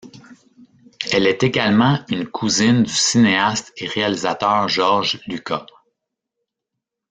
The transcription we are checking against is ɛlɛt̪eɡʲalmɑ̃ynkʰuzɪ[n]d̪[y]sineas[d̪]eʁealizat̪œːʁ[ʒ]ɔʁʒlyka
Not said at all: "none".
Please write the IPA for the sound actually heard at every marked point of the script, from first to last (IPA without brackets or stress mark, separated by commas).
n, y, t̪, ʒ